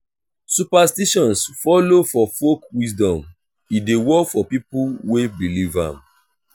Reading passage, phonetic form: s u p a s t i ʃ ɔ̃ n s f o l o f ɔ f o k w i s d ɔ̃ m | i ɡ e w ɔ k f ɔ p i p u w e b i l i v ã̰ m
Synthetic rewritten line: s u p a s t i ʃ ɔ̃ n s f ɔ l o f ɔ f o k w i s d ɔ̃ m | i d e w ɔ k f ɔ p i p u w e b i l i v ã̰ m